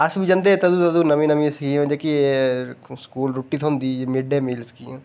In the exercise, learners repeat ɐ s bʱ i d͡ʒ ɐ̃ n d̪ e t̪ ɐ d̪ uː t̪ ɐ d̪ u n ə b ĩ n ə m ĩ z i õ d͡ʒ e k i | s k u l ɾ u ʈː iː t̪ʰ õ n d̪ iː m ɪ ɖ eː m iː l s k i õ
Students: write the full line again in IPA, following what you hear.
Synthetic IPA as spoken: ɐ s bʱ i d͡ʒ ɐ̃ n d̪ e t̪ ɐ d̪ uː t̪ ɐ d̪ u n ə m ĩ n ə m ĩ s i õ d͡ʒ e k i | s k uː l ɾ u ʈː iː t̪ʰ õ n d̪ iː m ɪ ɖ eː m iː l s k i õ